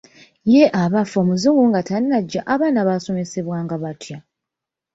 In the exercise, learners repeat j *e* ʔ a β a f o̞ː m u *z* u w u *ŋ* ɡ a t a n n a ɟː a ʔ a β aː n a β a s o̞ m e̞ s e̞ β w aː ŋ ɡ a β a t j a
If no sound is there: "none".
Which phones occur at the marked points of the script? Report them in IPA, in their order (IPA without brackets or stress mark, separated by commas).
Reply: e, z, ŋ